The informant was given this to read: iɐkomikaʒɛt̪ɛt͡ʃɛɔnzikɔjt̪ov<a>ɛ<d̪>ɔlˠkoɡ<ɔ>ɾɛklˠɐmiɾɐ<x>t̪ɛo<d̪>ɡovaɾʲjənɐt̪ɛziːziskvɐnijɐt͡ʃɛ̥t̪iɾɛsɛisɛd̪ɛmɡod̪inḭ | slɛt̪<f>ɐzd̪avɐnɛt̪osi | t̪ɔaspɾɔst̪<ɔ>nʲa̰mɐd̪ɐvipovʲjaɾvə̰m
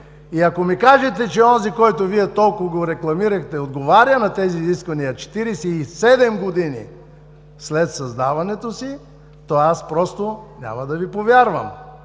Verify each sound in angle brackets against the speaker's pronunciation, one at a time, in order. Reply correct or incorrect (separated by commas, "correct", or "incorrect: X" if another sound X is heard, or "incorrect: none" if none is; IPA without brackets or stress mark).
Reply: incorrect: i, incorrect: t̪, incorrect: o, correct, correct, incorrect: s, incorrect: o